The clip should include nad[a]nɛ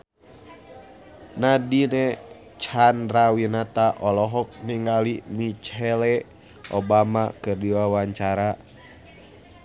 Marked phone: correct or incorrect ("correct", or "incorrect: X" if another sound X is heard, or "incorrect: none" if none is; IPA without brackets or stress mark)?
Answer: incorrect: i